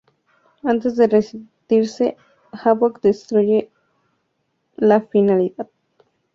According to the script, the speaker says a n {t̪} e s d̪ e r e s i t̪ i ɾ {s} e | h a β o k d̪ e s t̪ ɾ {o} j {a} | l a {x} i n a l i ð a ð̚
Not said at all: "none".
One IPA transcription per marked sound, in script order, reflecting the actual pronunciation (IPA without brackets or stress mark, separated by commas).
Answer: t̪, s, u, e, f